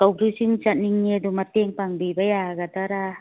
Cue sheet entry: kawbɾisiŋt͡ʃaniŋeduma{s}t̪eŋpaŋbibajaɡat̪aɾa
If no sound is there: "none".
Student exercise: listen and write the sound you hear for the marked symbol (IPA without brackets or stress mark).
none